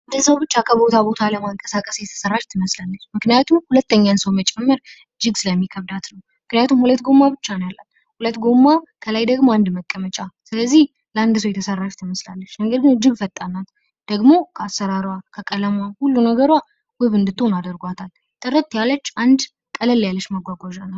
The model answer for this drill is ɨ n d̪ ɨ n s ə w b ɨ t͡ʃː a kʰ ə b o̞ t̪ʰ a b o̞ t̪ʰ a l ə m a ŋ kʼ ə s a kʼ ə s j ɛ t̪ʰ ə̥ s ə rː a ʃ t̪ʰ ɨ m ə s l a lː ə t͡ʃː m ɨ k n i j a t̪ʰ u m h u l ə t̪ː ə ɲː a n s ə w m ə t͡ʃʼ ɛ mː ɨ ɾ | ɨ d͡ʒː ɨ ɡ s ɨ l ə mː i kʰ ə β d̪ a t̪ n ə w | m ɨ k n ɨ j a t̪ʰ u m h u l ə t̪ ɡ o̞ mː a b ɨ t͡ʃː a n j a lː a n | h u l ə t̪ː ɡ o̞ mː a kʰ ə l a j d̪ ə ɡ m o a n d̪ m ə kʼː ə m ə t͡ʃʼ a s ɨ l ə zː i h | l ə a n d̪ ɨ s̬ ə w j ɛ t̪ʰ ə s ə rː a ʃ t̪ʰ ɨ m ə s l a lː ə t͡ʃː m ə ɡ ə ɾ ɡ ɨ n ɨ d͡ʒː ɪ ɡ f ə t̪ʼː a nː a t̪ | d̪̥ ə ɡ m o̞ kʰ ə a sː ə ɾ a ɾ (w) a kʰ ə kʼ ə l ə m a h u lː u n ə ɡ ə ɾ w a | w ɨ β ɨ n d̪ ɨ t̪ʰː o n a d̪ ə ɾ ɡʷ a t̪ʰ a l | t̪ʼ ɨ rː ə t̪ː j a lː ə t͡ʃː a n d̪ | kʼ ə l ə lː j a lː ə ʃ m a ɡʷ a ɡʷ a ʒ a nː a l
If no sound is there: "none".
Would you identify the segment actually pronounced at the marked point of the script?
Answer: w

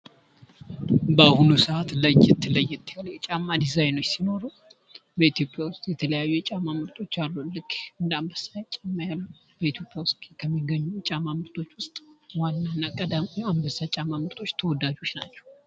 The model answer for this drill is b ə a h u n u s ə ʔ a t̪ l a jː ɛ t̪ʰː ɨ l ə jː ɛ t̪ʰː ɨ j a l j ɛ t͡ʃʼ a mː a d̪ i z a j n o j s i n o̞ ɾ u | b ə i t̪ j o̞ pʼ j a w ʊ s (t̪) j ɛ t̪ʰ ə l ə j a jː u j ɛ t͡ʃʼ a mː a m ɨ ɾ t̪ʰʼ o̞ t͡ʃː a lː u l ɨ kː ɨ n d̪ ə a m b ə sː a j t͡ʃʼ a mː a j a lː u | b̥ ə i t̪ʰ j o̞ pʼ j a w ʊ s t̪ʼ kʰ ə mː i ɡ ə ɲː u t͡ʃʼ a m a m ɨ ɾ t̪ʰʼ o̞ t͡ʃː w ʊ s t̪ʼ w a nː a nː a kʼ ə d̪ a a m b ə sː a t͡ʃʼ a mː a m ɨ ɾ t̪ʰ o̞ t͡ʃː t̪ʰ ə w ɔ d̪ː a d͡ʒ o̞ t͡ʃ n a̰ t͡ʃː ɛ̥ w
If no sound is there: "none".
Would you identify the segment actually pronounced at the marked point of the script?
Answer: t̪ʼ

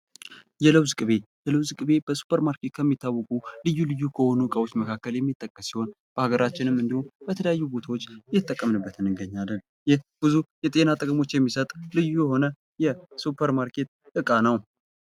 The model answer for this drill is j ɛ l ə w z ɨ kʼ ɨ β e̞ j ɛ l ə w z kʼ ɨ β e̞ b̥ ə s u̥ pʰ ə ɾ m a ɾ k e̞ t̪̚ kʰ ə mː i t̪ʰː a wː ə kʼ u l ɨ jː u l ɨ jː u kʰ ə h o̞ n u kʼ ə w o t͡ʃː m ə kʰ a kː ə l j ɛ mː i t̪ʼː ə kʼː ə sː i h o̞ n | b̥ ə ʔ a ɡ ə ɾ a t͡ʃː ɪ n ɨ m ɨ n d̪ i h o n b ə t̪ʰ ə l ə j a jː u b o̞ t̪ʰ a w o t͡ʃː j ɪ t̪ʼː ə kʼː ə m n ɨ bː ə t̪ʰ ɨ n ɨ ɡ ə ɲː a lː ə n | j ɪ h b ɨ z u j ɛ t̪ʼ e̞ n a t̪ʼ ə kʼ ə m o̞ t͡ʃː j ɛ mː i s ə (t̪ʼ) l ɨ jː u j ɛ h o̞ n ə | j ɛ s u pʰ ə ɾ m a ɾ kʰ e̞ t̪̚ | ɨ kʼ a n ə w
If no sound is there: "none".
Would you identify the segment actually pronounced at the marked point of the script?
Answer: t̪ʼ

